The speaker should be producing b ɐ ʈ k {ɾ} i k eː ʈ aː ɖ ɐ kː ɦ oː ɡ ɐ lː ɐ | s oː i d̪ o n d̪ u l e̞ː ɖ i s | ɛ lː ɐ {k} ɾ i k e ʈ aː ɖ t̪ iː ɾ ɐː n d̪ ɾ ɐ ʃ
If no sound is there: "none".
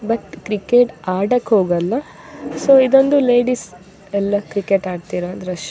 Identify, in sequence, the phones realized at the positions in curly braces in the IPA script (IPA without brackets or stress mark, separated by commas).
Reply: ɾ, k